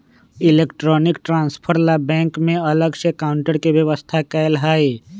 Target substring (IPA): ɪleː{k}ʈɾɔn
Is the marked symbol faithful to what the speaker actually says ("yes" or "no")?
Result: yes